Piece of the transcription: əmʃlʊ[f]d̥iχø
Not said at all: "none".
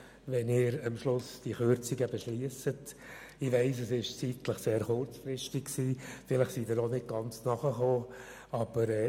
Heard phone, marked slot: s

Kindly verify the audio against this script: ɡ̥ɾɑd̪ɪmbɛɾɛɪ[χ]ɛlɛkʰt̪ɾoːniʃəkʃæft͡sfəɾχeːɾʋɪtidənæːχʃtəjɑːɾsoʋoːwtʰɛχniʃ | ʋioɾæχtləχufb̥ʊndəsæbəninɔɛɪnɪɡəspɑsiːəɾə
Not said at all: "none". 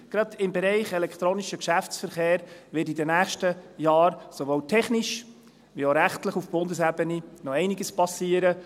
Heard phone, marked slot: χ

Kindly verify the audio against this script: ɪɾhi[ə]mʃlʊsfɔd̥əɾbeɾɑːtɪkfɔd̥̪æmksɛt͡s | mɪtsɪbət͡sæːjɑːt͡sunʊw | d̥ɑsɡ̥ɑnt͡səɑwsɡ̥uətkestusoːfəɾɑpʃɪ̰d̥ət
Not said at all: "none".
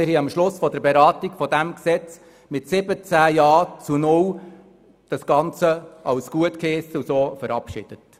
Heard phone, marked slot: ɑ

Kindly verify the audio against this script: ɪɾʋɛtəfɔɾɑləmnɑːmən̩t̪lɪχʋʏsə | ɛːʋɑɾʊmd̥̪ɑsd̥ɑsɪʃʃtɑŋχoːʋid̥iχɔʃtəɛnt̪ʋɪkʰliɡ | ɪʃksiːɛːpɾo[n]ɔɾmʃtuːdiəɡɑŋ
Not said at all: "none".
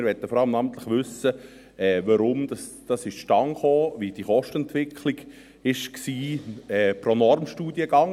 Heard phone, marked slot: n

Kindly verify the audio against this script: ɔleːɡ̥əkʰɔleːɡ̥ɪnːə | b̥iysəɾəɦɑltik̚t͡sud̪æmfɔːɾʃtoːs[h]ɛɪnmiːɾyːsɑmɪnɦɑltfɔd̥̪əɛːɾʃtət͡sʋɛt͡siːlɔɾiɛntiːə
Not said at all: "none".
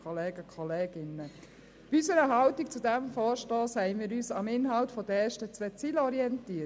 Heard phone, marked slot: h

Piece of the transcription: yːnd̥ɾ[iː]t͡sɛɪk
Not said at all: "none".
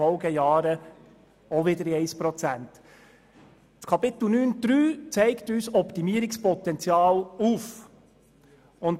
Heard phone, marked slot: yː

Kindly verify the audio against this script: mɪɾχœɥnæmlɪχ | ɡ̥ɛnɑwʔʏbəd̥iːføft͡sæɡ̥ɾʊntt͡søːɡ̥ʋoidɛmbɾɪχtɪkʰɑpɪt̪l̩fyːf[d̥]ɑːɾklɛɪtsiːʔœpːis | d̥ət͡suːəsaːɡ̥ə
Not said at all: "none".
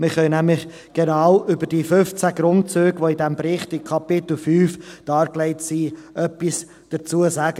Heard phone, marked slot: d̥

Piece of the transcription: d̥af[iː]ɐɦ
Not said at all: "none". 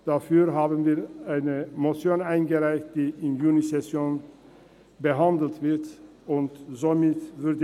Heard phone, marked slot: yː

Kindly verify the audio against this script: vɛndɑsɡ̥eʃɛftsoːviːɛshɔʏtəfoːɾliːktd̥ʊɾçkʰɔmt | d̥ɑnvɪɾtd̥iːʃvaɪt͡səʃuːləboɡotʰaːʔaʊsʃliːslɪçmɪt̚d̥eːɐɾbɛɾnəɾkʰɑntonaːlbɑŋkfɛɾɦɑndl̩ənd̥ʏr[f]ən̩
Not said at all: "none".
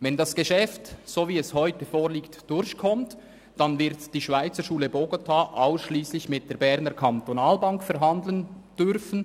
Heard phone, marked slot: f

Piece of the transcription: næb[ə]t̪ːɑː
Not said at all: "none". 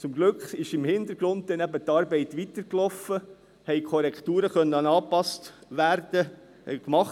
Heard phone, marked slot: ə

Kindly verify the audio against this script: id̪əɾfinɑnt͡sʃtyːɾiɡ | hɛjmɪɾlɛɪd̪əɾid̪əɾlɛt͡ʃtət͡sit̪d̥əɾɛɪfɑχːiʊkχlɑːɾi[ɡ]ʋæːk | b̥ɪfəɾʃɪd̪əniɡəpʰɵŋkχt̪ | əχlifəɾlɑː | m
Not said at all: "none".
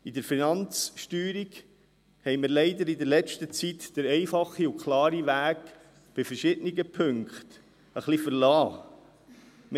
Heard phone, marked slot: none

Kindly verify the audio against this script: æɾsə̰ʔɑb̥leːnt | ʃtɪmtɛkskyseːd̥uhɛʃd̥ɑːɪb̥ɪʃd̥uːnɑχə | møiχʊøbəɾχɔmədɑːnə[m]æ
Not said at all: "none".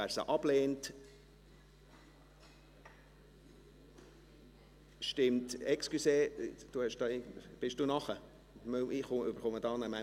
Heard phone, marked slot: m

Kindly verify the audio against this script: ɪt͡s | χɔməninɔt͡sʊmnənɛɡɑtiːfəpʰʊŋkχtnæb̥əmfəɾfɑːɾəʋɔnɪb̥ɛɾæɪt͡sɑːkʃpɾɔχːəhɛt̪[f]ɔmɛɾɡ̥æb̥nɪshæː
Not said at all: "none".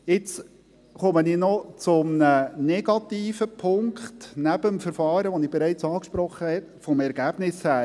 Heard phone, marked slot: f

